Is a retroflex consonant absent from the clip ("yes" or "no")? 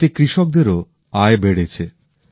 no